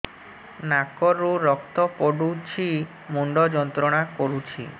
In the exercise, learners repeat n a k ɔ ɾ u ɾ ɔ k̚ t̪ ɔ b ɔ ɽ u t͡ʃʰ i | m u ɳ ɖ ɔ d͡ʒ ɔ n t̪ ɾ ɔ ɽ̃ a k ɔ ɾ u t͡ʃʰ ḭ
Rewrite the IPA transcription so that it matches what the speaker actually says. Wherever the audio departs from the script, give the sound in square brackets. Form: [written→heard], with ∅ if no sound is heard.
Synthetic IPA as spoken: n a k ɔ ɾ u ɾ ɔ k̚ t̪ ɔ [b→p] ɔ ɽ u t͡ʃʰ i | m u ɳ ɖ ɔ d͡ʒ ɔ n t̪ ɾ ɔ ɽ̃ a k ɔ ɾ u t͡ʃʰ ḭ